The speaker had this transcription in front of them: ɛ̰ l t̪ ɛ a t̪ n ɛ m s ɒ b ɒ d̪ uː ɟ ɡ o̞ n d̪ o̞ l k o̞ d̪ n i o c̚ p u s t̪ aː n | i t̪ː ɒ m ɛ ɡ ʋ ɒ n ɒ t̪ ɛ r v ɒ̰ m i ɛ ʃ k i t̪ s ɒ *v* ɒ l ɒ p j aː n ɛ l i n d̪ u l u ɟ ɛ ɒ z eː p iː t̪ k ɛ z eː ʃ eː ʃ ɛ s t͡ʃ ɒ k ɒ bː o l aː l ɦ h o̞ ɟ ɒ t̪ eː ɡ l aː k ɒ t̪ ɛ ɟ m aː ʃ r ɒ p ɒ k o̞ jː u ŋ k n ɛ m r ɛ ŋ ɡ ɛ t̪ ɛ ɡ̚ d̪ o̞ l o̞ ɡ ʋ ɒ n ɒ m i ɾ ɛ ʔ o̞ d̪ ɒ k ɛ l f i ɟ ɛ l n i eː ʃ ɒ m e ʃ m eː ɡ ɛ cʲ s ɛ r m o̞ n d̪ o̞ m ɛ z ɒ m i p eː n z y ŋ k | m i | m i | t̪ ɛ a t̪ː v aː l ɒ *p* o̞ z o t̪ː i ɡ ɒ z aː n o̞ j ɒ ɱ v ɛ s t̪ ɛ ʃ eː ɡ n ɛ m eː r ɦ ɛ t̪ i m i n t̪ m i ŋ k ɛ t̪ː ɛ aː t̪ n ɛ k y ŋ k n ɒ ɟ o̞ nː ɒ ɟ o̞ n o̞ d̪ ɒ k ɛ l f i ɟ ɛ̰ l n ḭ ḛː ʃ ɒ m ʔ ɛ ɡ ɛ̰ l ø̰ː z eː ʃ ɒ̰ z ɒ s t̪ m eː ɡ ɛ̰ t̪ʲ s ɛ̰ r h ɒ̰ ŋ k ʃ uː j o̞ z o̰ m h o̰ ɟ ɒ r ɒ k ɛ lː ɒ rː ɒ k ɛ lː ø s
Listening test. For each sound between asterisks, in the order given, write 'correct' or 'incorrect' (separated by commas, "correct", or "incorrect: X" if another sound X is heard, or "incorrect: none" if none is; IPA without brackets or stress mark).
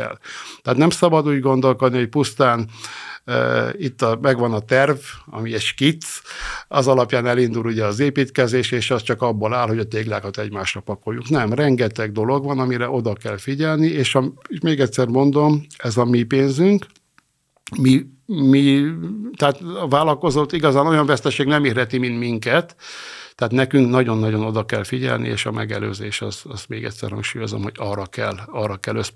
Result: incorrect: z, incorrect: k